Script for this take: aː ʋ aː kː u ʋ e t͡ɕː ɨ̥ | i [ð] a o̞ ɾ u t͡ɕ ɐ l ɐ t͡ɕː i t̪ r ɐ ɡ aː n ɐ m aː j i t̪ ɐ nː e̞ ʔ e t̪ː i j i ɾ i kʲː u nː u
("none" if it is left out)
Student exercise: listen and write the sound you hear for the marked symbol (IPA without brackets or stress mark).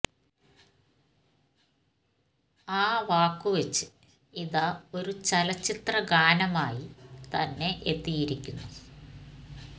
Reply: ð